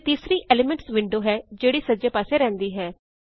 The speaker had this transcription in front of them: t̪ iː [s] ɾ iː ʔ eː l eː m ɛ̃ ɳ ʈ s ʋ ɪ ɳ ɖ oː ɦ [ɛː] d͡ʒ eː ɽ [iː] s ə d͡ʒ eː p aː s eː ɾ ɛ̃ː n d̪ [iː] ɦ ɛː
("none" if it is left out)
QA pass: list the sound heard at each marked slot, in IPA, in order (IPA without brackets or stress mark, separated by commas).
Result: s, ɛː, iː, iː